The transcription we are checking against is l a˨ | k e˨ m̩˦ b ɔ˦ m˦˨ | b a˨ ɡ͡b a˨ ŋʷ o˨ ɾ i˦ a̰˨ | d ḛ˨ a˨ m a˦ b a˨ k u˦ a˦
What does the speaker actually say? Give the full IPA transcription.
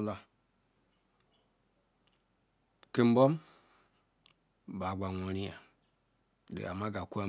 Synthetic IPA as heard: l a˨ | k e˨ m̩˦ b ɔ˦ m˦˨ | b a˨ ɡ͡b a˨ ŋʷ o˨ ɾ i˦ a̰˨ | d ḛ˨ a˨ m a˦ ɡ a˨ k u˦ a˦